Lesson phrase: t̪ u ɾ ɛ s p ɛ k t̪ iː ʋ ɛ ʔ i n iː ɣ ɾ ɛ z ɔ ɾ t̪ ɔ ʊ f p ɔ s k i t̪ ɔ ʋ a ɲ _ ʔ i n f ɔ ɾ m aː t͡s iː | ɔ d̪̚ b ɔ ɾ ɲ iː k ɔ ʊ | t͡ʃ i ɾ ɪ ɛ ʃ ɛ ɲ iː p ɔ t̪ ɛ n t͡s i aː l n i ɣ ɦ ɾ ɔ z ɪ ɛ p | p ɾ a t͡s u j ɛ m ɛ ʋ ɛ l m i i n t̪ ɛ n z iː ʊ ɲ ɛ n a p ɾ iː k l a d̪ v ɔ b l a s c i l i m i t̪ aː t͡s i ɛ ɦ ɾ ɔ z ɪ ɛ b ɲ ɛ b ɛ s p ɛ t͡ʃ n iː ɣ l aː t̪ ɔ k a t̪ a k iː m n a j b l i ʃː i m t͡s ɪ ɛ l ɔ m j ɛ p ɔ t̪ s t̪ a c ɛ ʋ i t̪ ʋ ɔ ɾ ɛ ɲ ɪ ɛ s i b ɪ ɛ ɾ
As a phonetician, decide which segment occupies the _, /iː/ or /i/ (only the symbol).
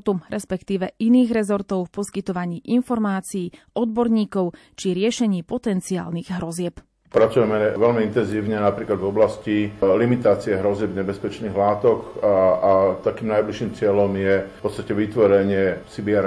iː